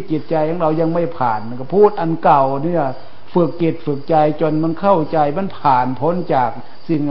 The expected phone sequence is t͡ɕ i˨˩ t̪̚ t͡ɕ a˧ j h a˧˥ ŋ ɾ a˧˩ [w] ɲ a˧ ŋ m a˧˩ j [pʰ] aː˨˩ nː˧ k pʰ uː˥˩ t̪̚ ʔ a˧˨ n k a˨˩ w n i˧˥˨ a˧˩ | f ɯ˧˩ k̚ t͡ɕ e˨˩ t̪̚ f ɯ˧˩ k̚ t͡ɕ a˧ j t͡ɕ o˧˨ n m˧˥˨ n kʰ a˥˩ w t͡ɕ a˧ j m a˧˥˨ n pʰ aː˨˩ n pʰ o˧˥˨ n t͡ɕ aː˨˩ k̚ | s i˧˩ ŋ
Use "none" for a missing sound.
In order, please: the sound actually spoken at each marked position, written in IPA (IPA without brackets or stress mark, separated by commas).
w, pʰ